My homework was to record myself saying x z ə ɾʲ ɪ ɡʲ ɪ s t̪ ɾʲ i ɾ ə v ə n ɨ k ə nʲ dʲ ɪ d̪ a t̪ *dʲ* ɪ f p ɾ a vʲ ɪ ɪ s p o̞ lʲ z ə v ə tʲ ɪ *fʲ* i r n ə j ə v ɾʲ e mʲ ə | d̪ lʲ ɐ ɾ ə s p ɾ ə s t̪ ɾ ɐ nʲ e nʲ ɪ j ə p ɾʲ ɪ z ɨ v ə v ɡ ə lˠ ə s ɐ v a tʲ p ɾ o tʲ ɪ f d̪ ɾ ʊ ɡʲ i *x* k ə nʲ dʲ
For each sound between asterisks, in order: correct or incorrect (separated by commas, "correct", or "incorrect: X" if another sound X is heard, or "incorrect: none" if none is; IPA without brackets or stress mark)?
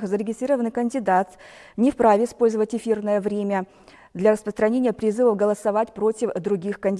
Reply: incorrect: nʲ, correct, correct